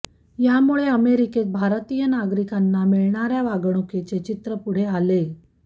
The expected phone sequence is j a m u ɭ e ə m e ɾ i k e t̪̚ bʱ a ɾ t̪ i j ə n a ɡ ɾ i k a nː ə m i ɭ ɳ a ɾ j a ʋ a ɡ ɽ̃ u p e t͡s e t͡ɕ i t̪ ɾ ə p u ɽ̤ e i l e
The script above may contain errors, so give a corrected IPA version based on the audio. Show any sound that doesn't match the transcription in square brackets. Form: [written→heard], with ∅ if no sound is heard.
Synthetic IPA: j a m u ɭ e ə m e ɾ i k e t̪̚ bʱ a ɾ t̪ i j ə n a ɡ ɾ i k a nː [ə→a] m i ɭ ɳ a ɾ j a ʋ a ɡ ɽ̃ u [p→k] e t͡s e t͡ɕ i t̪ ɾ ə p u ɽ̤ e [i→a] l e